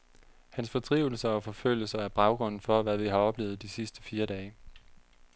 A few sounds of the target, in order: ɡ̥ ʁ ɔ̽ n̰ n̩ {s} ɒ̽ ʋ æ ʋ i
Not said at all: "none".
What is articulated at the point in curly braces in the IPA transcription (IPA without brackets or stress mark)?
f